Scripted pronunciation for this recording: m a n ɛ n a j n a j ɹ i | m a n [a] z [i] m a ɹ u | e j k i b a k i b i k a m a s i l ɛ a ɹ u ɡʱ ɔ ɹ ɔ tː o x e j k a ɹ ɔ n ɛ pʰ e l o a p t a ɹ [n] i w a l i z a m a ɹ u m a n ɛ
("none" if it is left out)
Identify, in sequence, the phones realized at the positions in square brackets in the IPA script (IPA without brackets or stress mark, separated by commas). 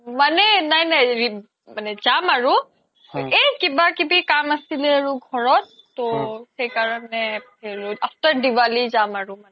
ɛ, a, d